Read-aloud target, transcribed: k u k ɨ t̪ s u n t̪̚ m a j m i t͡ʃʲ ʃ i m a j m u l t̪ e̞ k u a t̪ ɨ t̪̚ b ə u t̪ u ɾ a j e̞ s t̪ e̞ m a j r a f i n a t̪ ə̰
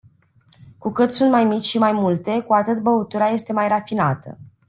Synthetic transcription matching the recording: k u k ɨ t̪ s u n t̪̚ m a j m i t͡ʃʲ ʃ i m a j m u l t̪ e̞ k u a t̪ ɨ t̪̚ b ə u t̪ u ɾ a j e̞ s t̪ e̞ m a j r a f i n a t̪ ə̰